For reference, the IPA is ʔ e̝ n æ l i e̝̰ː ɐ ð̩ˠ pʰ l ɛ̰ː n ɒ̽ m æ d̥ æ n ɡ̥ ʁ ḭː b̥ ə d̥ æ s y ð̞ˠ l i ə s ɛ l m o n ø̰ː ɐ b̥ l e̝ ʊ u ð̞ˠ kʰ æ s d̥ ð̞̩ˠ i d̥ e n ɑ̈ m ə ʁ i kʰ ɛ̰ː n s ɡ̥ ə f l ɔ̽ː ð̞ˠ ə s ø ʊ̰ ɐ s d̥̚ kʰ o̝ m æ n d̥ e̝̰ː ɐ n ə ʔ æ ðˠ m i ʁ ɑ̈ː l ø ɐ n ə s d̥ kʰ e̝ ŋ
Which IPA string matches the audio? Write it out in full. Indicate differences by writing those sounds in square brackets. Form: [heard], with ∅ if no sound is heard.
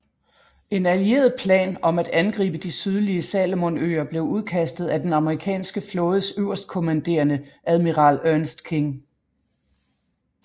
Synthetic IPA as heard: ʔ e̝ n æ l i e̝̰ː ɐ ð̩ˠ pʰ l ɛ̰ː n ɒ̽ m æ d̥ æ n ɡ̥ ʁ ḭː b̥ ə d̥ [i] s y ð̞ˠ l i ə s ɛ l m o n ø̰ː ɐ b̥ l e̝ ʊ u ð̞ˠ kʰ æ s d̥ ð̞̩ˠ [æ] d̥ e n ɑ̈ m ə ʁ i kʰ ɛ̰ː n s ɡ̥ ə f l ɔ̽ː ð̞ˠ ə s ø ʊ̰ ɐ s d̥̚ kʰ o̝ m æ n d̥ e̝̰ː ɐ n ə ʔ æ ðˠ m i ʁ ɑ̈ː l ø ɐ n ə s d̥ kʰ e̝ ŋ